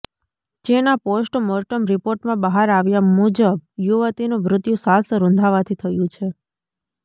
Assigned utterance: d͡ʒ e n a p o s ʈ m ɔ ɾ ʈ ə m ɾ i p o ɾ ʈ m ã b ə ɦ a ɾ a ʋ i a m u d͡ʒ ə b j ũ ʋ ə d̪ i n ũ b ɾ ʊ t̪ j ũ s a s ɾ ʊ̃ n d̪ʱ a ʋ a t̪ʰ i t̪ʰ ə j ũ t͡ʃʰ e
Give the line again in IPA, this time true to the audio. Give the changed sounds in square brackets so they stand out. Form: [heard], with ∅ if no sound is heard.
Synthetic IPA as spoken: d͡ʒ e n a p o s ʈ m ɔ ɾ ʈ ə m ɾ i p o ɾ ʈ m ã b ə ɦ a ɾ a ʋ [j] a m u d͡ʒ ə b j [u] ʋ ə [t̪] i n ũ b ɾ ʊ t̪ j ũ s a s ɾ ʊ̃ n d̪ʱ a ʋ a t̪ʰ i t̪ʰ ə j ũ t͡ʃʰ e